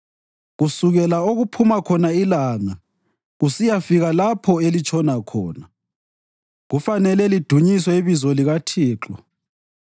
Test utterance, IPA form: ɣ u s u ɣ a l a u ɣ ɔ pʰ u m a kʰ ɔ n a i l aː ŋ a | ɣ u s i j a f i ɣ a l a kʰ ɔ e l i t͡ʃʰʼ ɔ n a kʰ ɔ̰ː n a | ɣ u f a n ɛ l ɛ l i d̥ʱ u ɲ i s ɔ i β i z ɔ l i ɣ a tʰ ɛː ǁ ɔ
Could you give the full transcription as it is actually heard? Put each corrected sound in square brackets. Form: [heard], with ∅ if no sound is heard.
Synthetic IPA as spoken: ɣ u s u ɣ [ɛ] l a [o] ɣ [u] pʰ u m a kʰ ɔ n a i l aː ŋ a | ɣ u s i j a f i ɣ a l a [pʰ] ɔ e l i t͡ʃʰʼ ɔ n a kʰ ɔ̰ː n a | ɣ u f a n ɛ l ɛ l i d̥ʱ u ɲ i s ɔ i β i z ɔ l i ɣ a tʰ [iː] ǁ ɔ

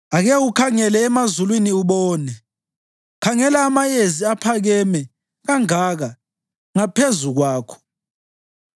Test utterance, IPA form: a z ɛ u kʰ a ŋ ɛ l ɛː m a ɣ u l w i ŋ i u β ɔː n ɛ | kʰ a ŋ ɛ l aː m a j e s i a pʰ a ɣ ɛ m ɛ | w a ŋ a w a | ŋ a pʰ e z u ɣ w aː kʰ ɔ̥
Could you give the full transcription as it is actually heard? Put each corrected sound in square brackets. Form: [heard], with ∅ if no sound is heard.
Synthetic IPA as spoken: a [ɣ] ɛ u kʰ a ŋ ɛ l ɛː m a [z] u l w i [n] i u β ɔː n ɛ | kʰ a ŋ ɛ l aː m a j e [z] i a pʰ a ɣ ɛ m ɛ | [ɣ] a ŋ a [ɣ] a | ŋ a pʰ e z u ɣ w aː kʰ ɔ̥

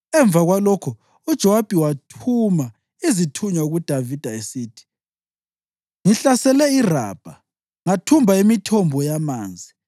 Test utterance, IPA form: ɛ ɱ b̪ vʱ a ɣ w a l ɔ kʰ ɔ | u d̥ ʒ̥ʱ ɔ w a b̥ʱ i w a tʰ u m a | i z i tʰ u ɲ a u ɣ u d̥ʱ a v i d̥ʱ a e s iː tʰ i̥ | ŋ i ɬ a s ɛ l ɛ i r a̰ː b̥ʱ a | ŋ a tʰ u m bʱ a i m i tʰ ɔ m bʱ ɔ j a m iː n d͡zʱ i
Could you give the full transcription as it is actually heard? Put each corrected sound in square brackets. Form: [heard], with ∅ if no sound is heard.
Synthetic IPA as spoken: ɛ ɱ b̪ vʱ a ɣ w a l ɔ kʰ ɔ | u d̥ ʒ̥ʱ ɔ w a b̥ʱ i w a tʰ u m a | i z i tʰ u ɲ a u ɣ u d̥ʱ a v i d̥ʱ a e s iː tʰ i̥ | ŋ i ɬ a s ɛ l ɛ i r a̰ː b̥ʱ a | ŋ a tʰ u m bʱ a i m i tʰ ɔ m bʱ ɔ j a m [aː] n d͡zʱ i

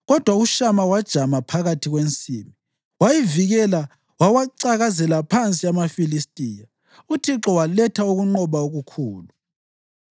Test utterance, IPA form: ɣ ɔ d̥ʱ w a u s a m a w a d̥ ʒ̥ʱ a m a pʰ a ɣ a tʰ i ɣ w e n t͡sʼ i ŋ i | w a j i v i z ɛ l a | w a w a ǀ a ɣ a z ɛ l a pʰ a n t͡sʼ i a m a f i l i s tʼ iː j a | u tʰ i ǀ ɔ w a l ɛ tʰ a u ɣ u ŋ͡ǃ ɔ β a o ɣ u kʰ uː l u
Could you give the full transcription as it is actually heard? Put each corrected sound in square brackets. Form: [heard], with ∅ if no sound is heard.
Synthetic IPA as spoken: ɣ ɔ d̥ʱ w a u [ʃ] a m a w a d̥ ʒ̥ʱ a m a pʰ a ɣ a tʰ i ɣ w e n t͡sʼ i [m] i | w a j i v i [ɣ] ɛ l a | w a w a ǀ a ɣ a z ɛ l a pʰ a n t͡sʼ i a m a f i l i s tʼ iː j a | u tʰ i [ǁ] ɔ w a l ɛ tʰ a u ɣ u ŋ͡ǃ ɔ β a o ɣ u kʰ uː l u

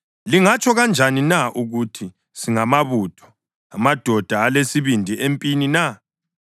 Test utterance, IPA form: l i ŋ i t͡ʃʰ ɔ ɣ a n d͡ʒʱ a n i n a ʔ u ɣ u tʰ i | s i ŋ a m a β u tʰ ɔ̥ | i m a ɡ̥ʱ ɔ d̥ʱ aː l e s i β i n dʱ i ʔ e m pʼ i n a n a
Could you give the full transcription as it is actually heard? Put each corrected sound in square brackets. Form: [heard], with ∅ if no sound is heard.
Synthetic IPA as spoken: l i ŋ [a] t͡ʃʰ ɔ ɣ a n d͡ʒʱ a n i n a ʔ u ɣ u tʰ i | s i ŋ a m a β u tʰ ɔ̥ | [a] m a [d̥ʱ] ɔ d̥ʱ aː l e s i β i n dʱ i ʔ e m pʼ i n [i] n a

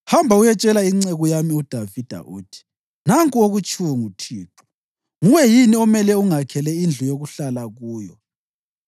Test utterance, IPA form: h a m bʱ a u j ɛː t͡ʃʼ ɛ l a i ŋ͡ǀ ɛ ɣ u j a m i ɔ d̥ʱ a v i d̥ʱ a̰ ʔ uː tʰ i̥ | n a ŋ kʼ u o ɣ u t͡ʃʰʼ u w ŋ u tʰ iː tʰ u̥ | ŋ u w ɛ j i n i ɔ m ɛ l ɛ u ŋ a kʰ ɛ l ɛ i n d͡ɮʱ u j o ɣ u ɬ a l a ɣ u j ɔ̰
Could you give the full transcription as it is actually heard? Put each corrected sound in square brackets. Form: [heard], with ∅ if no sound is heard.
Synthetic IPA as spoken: h a m bʱ a u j [ɛ] t͡ʃʼ ɛ l a i ŋ͡ǀ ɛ ɣ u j a m i [u] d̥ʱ a v i d̥ʱ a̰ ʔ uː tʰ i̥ | n a ŋ kʼ u o ɣ u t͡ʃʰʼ u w ŋ u tʰ iː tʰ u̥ | ŋ u w ɛ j i n i ɔ m ɛ l ɛ u ŋ a kʰ ɛ l ɛ i n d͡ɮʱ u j o ɣ u ɬ a l a ɣ [uː] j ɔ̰

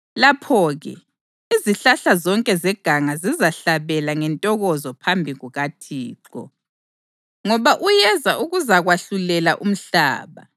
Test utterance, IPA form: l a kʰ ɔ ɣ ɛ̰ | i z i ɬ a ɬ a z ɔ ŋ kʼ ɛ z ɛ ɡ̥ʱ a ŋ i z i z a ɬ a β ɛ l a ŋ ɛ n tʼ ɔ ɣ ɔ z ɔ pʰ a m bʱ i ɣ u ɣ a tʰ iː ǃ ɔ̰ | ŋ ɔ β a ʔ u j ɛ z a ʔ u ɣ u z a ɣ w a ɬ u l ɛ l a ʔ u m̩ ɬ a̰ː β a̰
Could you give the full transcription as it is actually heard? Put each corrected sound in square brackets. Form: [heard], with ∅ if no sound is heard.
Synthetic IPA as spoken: l a [pʰ] ɔ ɣ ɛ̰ | i z i ɬ a ɬ a z ɔ ŋ kʼ ɛ z ɛ ɡ̥ʱ a ŋ [a] z i z a ɬ a β ɛ l a ŋ ɛ n tʼ ɔ ɣ ɔ z ɔ pʰ a m bʱ i ɣ u ɣ a tʰ iː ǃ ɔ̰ | ŋ ɔ β a ʔ u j ɛ z a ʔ u ɣ u z a ɣ w a ɬ u l ɛ l a ʔ u m̩ ɬ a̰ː β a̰

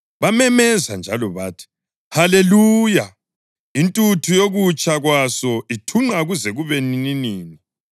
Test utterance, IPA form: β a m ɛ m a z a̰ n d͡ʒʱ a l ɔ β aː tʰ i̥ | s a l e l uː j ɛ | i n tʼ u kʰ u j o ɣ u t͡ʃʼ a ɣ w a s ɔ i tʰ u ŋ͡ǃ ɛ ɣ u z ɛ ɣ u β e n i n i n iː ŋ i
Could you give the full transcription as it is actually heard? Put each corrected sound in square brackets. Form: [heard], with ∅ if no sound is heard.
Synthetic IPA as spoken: β a m ɛ m [ɛ] z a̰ n d͡ʒʱ a l ɔ β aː tʰ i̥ | [h] a l e l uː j [a] | i n tʼ u [tʰ] u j o ɣ u t͡ʃʼ a ɣ w a s ɔ i tʰ u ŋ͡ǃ [a] ɣ u z ɛ ɣ u β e n i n i n iː [n] i

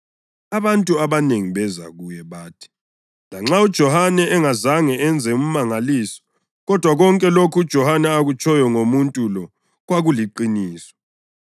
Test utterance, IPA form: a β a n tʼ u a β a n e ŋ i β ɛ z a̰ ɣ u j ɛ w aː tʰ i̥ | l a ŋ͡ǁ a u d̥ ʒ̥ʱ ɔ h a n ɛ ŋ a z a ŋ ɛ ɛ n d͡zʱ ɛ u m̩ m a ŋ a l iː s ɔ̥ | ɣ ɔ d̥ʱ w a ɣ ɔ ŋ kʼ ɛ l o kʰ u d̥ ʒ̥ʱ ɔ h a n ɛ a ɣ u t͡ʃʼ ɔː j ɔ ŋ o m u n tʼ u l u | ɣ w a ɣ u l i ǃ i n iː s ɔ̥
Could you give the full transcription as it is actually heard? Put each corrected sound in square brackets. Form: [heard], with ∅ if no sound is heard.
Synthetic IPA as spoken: a β a n tʼ u a β a n e ŋ i β ɛ z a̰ ɣ u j ɛ [β] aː tʰ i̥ | l a ŋ͡ǁ a u d̥ ʒ̥ʱ ɔ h a n ɛ ŋ a z a ŋ ɛ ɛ n d͡zʱ ɛ u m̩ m a ŋ a l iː s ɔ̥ | ɣ ɔ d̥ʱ w a ɣ ɔ ŋ kʼ ɛ l o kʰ u d̥ ʒ̥ʱ ɔ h a n ɛ a ɣ u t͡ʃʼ [ɔ] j ɔ ŋ o m u n tʼ u l [ɔ] | ɣ w a ɣ u l i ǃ i n iː s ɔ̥

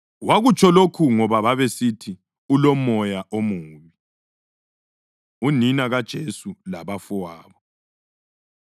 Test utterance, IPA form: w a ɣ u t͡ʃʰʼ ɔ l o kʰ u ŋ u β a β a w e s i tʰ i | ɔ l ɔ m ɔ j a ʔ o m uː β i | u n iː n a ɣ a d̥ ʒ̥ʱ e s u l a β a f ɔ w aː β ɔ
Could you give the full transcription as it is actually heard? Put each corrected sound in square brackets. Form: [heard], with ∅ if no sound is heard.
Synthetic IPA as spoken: w a ɣ u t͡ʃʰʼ ɔ l o kʰ u ŋ [ɔ] β a β a [β] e s i tʰ i | [u] l ɔ m ɔ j a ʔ o m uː β i | u n [i] n a ɣ a d̥ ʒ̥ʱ e s u l a β a f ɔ w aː β ɔ

